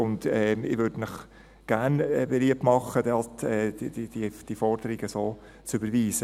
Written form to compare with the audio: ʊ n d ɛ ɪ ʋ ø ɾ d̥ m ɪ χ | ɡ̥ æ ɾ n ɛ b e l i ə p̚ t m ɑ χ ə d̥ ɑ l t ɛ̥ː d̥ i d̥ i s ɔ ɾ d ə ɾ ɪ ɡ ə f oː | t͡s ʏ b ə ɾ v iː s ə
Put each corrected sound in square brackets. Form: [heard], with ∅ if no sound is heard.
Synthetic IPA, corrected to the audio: ʊ n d ɛ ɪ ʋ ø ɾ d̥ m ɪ χ | ɡ̥ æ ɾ n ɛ b e l i ə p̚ t m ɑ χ ə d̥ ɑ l t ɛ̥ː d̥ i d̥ i [f] ɔ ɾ d ə ɾ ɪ ɡ ə [s] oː | t͡s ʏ b ə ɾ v iː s ə